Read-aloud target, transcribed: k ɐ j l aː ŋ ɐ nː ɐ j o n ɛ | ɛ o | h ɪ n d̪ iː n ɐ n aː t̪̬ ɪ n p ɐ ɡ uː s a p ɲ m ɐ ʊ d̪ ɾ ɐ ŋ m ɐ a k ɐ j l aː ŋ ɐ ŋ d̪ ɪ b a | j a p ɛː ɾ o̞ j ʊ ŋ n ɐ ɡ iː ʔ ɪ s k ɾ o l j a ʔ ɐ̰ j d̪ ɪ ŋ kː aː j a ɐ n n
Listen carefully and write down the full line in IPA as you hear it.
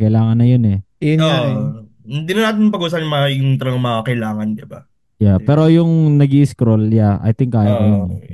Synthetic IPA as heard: k ɐ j l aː ŋ ɐ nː ɐ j o n ɛ | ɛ o | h ɪ n d̪ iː n ɐ n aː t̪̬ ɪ n p ɐ ɡ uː s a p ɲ m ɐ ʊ t̪ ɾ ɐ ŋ m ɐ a k ɐ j l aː ŋ ɐ n d̪ ɪ b a | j a p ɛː ɾ o̞ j ʊ ŋ n ɐ ɡ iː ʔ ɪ s k ɾ o l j a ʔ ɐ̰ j t̪ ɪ ŋ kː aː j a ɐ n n